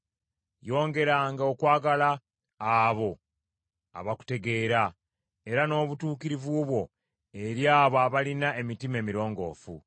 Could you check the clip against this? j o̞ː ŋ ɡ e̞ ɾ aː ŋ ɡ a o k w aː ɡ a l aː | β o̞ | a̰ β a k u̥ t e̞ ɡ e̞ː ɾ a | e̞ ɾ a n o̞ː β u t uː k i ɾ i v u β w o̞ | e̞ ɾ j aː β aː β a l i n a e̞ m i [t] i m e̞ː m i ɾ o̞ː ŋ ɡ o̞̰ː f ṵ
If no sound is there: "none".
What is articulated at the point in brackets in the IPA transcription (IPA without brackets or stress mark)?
t